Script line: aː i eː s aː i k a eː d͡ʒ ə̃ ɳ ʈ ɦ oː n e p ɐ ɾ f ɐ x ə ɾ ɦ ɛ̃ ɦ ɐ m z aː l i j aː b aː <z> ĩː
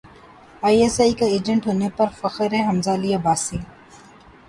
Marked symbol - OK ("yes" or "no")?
no